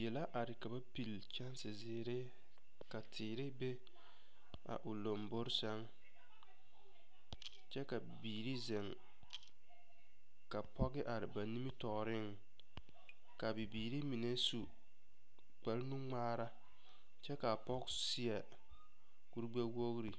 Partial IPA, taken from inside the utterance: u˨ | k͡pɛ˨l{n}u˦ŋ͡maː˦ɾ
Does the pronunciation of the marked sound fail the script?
no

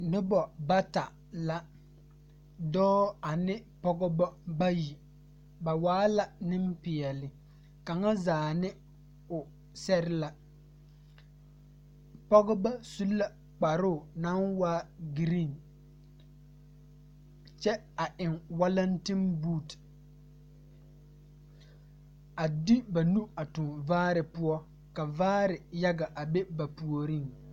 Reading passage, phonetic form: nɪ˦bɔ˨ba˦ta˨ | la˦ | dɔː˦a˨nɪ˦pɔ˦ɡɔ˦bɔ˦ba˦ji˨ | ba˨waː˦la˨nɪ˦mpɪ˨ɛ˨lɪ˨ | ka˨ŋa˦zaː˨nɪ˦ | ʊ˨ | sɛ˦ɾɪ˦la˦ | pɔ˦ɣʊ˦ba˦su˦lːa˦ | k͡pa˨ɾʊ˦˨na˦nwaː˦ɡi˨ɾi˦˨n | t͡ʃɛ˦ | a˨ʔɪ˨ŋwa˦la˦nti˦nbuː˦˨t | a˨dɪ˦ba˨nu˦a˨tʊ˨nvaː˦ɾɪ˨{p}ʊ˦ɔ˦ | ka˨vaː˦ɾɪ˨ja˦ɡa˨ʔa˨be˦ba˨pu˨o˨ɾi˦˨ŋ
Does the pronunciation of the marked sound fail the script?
no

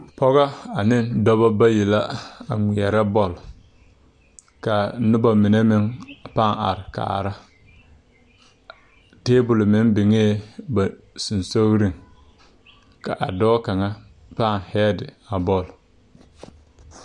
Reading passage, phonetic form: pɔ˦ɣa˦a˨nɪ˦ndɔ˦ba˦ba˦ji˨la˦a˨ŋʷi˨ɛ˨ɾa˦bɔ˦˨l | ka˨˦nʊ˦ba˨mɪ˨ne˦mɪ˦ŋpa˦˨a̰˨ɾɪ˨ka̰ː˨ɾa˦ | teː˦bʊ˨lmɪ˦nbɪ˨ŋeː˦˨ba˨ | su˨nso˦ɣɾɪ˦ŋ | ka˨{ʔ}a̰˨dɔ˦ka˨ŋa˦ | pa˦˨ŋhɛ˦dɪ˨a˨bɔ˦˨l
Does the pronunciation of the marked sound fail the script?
no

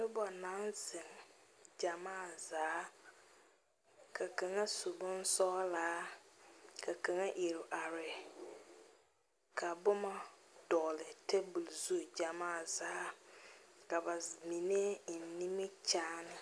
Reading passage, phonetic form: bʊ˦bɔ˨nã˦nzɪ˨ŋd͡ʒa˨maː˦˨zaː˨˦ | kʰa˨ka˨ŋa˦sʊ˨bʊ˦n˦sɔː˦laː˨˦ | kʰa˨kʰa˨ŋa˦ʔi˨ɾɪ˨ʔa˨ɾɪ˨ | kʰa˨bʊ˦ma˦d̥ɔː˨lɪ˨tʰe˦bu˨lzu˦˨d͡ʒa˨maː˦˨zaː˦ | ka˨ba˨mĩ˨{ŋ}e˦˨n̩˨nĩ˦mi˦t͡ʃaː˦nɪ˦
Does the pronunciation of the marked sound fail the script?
yes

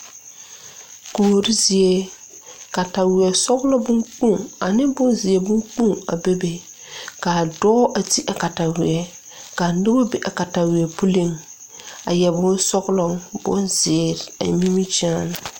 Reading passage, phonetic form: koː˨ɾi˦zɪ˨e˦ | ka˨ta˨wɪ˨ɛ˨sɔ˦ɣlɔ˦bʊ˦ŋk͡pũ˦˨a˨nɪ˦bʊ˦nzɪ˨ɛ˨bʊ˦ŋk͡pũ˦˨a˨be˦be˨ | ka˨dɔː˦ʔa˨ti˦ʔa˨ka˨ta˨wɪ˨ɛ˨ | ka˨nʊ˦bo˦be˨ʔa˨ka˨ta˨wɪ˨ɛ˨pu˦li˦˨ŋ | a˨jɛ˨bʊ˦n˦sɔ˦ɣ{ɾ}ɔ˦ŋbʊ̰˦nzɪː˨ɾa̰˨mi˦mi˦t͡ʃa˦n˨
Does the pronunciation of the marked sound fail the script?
yes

